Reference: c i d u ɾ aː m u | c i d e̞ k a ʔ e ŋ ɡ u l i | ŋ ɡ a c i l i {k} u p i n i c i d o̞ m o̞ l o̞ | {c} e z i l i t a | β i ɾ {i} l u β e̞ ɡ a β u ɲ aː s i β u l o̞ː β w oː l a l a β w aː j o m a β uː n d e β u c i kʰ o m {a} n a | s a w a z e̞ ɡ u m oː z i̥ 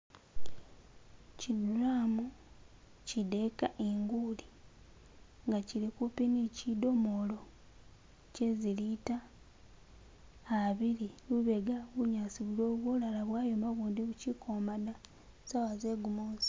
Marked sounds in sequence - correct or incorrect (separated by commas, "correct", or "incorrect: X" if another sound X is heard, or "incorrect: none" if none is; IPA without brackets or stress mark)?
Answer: correct, correct, correct, correct